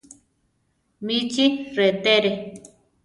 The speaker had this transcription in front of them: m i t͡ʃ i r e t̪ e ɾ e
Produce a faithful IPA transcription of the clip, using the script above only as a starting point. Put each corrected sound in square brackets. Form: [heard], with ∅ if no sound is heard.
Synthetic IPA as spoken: m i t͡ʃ i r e t̪ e ɾ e